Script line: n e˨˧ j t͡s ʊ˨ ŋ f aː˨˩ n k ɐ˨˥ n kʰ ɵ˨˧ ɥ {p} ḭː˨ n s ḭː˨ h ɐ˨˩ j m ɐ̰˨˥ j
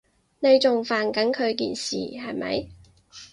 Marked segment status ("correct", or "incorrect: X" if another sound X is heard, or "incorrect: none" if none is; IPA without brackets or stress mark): incorrect: k